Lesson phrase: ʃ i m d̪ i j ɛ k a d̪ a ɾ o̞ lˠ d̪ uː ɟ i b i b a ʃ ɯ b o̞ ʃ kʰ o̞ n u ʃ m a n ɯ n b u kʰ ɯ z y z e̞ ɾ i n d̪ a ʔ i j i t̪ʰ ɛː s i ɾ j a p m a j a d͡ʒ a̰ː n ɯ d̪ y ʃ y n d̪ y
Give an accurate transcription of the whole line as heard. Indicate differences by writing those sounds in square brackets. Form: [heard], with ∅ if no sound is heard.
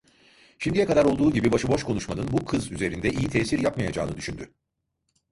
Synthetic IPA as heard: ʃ i m d̪ i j ɛ k a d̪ a ɾ o̞ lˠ d̪ uː ɟ i b i b a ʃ ɯ b o̞ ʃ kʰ o̞ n u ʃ m a n ɯ n b u kʰ ɯ z y z e̞ ɾ i n d̪ [ɛ] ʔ i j i t̪ʰ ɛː s i ɾ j a p m a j a d͡ʒ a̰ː n ɯ d̪ y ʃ y n d̪ y